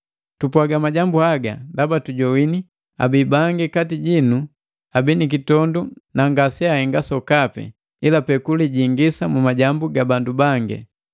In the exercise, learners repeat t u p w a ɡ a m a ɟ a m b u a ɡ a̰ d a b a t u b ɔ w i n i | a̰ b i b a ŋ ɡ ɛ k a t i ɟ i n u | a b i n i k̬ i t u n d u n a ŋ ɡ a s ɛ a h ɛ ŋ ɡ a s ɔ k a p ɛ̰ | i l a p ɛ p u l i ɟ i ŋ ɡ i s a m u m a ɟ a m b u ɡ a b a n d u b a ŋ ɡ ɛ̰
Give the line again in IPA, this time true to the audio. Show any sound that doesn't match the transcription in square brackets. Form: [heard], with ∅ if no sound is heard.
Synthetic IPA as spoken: t u p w a ɡ a m a ɟ a m b u a ɡ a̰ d a b a t u [ɟ] ɔ w i n i | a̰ b i b a ŋ ɡ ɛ k a t i ɟ i n u | a b i n i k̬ i t [ɔ] n d u n a ŋ ɡ a s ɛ a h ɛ ŋ ɡ a s ɔ k a p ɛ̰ | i l a p ɛ [k] u l i ɟ i ŋ ɡ i s a m u m a ɟ a m b u ɡ a b a n d u b a ŋ ɡ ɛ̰